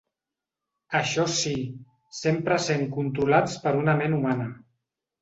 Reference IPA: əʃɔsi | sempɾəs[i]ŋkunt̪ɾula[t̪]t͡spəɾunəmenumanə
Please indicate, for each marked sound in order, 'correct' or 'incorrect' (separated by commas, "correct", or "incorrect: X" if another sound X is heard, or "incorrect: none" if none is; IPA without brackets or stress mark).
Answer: incorrect: e, incorrect: none